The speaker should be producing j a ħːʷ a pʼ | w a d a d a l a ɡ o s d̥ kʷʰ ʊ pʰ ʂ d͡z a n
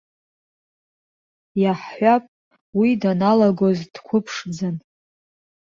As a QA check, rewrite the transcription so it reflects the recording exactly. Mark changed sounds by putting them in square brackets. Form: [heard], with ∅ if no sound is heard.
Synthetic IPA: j a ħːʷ a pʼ | w [i] d a [n] a l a ɡ o [z] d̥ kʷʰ ʊ pʰ ʂ d͡z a n